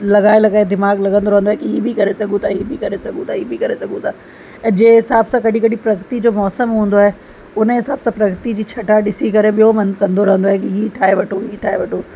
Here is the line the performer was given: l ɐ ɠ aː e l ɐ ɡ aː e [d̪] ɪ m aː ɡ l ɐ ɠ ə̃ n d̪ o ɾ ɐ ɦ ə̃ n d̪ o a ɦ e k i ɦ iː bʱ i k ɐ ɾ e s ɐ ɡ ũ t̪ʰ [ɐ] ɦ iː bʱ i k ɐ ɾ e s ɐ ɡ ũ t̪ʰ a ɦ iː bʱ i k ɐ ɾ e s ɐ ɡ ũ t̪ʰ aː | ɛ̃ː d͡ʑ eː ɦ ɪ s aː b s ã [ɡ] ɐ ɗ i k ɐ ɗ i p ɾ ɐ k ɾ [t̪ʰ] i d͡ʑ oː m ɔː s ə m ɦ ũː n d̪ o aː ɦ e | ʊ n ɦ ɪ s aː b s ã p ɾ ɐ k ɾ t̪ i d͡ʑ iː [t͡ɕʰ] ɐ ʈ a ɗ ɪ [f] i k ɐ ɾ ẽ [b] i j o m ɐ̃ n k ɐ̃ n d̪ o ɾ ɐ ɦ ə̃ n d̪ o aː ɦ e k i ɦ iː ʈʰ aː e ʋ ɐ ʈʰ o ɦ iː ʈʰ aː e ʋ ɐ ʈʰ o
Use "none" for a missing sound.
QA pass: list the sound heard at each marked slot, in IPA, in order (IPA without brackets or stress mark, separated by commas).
d̪, a, k, t̪, t͡ɕʰ, s, ɓ